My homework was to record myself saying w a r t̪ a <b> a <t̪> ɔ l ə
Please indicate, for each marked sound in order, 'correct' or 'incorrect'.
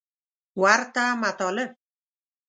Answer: incorrect: m, correct

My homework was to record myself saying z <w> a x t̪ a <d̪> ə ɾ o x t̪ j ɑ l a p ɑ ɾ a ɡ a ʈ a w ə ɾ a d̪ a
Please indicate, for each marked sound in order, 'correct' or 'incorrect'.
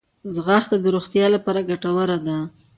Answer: incorrect: ɣ, correct

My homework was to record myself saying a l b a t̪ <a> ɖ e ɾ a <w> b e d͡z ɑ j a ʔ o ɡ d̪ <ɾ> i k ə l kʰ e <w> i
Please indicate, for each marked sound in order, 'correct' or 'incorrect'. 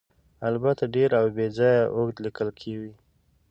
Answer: correct, correct, incorrect: l, correct

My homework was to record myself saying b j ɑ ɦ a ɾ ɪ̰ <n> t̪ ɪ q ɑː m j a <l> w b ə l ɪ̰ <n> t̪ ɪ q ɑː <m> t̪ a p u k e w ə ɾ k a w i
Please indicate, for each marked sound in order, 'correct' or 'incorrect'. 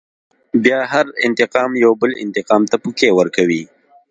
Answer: correct, incorrect: none, correct, correct

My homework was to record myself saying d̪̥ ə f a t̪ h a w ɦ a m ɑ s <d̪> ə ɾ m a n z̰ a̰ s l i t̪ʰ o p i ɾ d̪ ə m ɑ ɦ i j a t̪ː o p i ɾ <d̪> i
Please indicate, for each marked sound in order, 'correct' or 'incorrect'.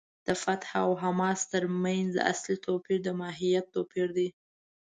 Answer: incorrect: t̪, correct

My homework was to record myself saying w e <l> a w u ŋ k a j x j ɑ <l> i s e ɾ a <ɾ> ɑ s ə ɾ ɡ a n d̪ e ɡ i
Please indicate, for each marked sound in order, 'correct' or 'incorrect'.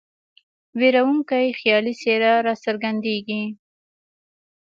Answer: incorrect: ɾ, correct, correct

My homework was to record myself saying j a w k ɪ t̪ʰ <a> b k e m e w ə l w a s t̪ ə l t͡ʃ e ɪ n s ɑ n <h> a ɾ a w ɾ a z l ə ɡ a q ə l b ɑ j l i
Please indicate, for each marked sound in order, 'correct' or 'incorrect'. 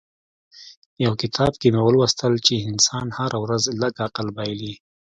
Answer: incorrect: ɑ, correct

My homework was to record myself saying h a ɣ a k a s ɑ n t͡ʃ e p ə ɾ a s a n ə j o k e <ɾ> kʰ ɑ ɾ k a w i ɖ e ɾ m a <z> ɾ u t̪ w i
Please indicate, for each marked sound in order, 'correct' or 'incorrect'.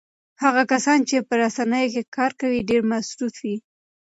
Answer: incorrect: none, incorrect: s

